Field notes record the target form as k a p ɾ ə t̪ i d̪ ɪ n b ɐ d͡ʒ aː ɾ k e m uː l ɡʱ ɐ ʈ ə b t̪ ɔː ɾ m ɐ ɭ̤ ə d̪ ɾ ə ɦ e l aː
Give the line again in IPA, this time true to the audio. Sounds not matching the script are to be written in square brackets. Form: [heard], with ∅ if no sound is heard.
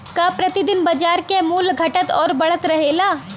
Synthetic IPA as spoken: k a p ɾ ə t̪ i d̪ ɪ n b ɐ d͡ʒ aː ɾ k e m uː l ɡʱ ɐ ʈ ə [∅] t̪ ɔː ɾ [b] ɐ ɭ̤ ə [t̪] ɾ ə ɦ e l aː